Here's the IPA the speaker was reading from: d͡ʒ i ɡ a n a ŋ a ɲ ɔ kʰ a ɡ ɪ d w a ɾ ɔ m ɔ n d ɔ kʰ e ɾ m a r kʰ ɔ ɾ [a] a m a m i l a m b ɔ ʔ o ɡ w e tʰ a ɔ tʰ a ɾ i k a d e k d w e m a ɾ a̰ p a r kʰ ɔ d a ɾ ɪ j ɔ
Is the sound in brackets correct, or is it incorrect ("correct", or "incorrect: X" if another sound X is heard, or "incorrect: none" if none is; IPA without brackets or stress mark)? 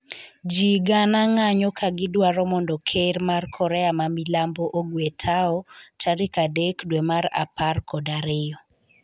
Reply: incorrect: ɛ